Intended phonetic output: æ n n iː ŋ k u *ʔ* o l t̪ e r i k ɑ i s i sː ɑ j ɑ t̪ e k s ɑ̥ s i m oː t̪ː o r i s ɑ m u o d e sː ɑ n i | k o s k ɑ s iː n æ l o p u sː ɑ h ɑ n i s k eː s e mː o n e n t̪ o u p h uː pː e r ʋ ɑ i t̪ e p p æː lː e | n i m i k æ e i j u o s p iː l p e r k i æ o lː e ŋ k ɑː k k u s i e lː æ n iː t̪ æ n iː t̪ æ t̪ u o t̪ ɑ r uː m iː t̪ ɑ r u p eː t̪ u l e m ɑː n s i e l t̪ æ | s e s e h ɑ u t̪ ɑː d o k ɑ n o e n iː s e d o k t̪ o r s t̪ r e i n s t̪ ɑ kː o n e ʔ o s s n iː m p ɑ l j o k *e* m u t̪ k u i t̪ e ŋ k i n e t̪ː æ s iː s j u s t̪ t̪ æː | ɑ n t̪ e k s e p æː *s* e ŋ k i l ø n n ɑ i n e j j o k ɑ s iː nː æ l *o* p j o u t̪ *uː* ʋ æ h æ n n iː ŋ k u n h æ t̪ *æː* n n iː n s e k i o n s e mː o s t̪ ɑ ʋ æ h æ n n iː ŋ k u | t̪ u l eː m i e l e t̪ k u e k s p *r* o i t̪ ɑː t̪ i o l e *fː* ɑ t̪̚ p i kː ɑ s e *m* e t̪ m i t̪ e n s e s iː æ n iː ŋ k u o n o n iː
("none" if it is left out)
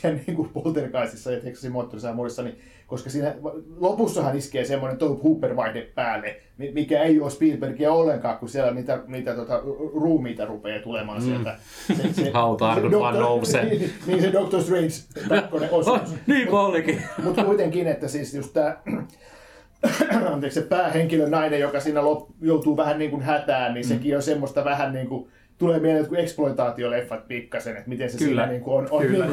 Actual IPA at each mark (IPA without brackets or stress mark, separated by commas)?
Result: p, i, h, o, uː, æː, l, fː, n